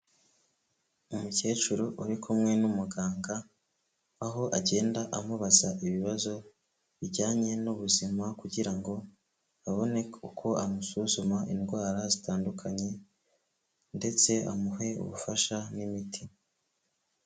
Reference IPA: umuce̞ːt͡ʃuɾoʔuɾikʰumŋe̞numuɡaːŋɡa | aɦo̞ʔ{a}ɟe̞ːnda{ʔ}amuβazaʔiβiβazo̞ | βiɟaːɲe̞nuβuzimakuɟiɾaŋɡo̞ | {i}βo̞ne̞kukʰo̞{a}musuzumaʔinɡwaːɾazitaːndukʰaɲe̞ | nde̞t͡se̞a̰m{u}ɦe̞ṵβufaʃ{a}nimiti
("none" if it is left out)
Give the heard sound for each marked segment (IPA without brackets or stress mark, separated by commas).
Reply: a, ʔ, a, a, u, a